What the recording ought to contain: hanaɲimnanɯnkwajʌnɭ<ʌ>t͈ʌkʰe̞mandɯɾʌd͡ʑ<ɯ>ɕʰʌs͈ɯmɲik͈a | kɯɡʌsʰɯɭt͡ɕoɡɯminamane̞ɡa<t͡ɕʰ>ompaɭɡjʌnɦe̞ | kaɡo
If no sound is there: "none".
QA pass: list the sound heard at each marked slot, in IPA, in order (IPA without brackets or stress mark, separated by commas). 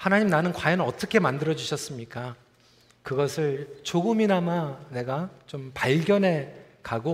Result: ʌ, u, t͡ɕ